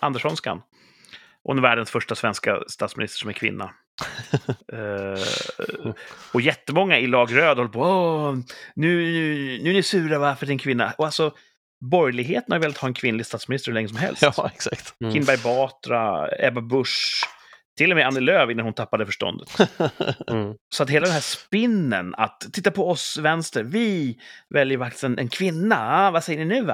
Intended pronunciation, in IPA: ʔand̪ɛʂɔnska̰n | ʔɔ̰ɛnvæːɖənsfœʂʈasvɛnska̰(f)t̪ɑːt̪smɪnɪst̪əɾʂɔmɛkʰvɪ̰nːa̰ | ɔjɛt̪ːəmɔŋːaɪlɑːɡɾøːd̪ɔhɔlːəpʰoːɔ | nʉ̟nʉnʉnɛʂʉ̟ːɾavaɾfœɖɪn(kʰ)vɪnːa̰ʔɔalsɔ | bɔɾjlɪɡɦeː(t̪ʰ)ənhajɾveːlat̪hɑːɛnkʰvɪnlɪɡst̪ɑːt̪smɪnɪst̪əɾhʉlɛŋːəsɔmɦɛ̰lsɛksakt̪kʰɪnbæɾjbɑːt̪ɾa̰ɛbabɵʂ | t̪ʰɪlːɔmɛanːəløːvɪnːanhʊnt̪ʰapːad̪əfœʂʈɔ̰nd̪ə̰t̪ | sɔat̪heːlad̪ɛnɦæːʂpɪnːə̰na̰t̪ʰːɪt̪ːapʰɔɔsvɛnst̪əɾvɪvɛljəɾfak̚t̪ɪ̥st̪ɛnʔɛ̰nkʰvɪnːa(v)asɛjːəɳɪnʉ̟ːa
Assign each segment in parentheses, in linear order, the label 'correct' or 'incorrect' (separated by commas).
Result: incorrect, correct, incorrect, correct